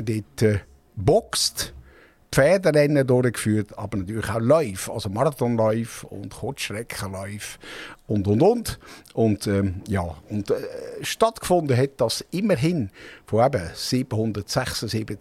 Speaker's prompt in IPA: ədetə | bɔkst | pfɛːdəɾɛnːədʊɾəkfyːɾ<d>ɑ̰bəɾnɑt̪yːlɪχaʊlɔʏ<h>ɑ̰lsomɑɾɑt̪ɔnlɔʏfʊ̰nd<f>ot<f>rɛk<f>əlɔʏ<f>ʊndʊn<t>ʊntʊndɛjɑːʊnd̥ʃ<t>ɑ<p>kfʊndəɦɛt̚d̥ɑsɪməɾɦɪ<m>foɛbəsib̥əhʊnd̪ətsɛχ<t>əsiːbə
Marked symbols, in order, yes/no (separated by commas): no, no, no, no, no, yes, no, yes, no, no, no